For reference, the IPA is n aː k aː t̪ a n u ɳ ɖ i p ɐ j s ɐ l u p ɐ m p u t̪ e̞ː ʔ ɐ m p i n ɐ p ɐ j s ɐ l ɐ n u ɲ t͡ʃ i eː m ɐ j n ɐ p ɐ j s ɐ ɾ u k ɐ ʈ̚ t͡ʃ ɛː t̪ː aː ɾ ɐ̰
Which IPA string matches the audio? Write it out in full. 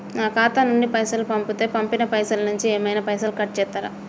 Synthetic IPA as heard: n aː k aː t̪ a n u ɳ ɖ i p ɐ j s ɐ l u p ɐ m p u t̪ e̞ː p ɐ m p i n ɐ p ɐ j s ɐ l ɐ n u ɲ t͡ʃ i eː m ɐ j n ɐ p ɐ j s ɐ l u k ɐ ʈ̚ t͡ʃ ɛː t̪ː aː ɾ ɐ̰